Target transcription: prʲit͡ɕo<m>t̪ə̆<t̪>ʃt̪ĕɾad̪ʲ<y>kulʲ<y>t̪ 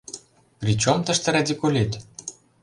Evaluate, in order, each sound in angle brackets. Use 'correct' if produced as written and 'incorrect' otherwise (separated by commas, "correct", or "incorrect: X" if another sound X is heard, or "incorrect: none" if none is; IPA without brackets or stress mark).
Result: correct, incorrect: none, incorrect: i, incorrect: i